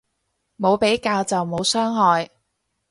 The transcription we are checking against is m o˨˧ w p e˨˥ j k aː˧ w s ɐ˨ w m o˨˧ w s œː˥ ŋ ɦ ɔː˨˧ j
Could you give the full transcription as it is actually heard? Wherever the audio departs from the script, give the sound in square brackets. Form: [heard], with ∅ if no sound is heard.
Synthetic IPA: m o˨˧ w p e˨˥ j k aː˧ w [t͡s] ɐ˨ w m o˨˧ w s œː˥ ŋ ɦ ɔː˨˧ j